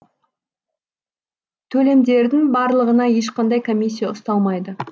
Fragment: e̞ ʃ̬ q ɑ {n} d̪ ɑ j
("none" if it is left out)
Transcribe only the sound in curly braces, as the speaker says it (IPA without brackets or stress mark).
n